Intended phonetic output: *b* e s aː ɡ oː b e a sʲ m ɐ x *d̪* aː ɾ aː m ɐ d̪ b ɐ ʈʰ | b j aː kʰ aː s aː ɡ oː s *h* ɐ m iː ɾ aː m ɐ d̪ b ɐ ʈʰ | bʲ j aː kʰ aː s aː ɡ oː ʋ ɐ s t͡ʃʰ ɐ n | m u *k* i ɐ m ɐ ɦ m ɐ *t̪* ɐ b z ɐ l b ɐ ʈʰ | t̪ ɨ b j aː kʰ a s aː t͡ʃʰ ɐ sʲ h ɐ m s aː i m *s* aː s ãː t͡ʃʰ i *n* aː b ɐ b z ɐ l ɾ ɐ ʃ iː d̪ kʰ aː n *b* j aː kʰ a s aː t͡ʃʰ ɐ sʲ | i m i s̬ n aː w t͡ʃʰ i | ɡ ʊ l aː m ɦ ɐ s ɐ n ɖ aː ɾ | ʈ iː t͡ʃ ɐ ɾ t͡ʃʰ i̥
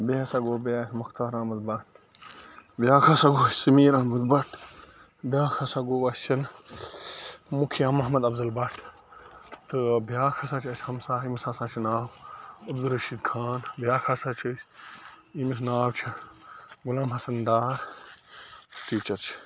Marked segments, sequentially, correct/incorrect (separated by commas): correct, incorrect, incorrect, incorrect, incorrect, correct, correct, correct